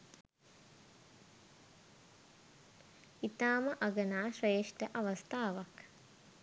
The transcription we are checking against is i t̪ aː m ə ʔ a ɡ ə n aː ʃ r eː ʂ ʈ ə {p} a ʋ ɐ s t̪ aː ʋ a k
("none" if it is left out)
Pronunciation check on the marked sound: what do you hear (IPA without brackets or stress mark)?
ʔ